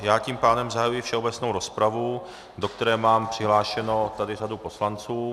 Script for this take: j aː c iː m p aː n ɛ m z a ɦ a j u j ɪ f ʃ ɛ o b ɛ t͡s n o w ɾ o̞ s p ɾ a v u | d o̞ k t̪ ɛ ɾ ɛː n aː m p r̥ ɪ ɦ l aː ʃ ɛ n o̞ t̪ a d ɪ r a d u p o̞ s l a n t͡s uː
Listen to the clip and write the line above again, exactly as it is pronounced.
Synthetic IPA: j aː c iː m p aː d ɛ m z a ɦ a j u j ɪ f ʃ ɛ o b ɛ t͡s n o w ɾ o̞ s p ɾ a v u | d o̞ k t̪ ɛ ɾ ɛː m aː m p r̥ ɪ ɦ l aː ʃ ɛ n o̞ t̪ a d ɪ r a d u p o̞ s l a n t͡s uː

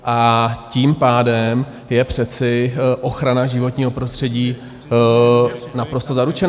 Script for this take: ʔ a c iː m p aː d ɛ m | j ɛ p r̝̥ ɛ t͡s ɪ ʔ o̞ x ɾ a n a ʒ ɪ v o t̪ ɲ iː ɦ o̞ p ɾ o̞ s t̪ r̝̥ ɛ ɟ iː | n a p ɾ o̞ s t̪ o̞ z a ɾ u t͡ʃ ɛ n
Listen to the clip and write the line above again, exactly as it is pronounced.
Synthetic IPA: ʔ a c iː m p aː d ɛ m | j ɛ p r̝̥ ɛ t͡s ɪ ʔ o̞ x ɾ a n a ʒ ɪ v o t̪ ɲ iː ɦ o̞ p ɾ o̞ s t̪ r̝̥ ɛ ɟ iː | n a p ɾ o̞ s t̪ o̞ z a ɾ u t͡ʃ ɛ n

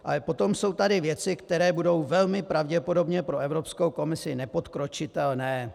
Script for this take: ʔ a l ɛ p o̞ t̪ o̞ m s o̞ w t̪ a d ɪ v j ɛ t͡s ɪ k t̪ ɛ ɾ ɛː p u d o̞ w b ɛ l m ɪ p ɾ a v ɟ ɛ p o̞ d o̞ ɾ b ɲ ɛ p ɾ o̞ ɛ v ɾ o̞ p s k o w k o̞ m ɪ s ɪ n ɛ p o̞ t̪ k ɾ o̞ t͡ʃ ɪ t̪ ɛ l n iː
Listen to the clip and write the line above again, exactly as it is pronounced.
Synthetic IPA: ʔ a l ɛ p o̞ t̪ o̞ m s o̞ w t̪ a d ɪ v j ɛ t͡s ɪ k t̪ ɛ ɾ ɛː b u d o̞ w v ɛ l m ɪ p ɾ a v ɟ ɛ p o̞ d o̞ b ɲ ɛ p ɾ o̞ ɛ v ɾ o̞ p s k o w k o̞ m ɪ s ɪ n ɛ p o̞ t̪ k ɾ o̞ t͡ʃ ɪ t̪ ɛ l n ɛː

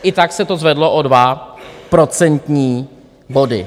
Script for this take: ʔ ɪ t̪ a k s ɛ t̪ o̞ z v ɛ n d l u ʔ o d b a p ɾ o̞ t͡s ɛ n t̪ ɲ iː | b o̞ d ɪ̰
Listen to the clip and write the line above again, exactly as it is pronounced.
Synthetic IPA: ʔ ɪ t̪ a k s ɛ t̪ o̞ z v ɛ d l o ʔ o d v a p ɾ o̞ t͡s ɛ n t̪ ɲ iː | b o̞ d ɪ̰

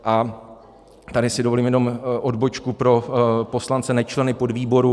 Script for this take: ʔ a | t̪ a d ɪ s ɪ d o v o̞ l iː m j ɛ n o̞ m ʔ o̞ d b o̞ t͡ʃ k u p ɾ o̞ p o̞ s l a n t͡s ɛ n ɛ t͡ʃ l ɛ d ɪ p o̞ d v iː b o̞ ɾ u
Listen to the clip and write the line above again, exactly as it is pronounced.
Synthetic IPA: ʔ a | t̪ a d ɪ s ɪ d o v o̞ l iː m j ɛ n o̞ m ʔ o̞ d b o̞ t͡ʃ k u p ɾ o̞ p o̞ s l a n t͡s ɛ n ɛ t͡ʃ l ɛ n ɪ p o̞ d v iː b o̞ ɾ u

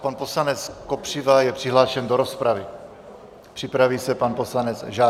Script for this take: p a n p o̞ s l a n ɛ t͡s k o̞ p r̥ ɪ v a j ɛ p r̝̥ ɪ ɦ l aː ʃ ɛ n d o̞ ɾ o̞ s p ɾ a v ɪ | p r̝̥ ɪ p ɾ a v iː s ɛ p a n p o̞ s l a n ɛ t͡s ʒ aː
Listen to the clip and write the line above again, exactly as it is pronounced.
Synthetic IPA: p a n p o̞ s l a n ɛ t͡s k o̞ p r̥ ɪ v a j ɛ p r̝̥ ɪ ɦ l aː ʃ ɛ n d o̞ ɾ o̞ s p ɾ a v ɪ | p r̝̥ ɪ p ɾ a v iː s ɛ p a n p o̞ s l a n ɛ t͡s ʒ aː

